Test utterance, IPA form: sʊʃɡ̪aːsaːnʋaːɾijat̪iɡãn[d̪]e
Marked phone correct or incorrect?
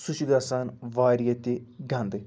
correct